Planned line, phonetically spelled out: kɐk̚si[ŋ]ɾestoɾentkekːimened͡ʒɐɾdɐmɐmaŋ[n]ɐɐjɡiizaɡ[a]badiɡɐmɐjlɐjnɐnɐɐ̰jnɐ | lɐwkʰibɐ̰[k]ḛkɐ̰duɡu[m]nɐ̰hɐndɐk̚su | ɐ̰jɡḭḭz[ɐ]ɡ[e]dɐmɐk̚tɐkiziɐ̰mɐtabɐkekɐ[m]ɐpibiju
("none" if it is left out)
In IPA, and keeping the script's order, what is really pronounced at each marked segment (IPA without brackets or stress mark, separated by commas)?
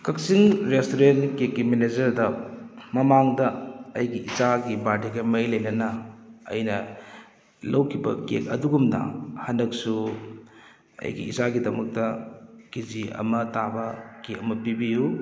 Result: ŋ, d, i, k, m, a, i, m